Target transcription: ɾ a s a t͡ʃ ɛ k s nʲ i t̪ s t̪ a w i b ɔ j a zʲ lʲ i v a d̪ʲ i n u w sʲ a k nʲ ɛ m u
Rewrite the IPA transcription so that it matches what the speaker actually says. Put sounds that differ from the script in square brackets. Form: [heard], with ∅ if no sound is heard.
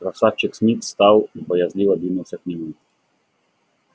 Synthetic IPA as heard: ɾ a s a t͡ʃ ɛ k s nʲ i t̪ s t̪ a w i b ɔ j a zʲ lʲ i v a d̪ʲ i n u w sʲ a k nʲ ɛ m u